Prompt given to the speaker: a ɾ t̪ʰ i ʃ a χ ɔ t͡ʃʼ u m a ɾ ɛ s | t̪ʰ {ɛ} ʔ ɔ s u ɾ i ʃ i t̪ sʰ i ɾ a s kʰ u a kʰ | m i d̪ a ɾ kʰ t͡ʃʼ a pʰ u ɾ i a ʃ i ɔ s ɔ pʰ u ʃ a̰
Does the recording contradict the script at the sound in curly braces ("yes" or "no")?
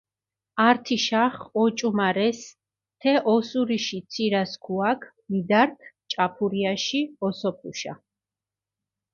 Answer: no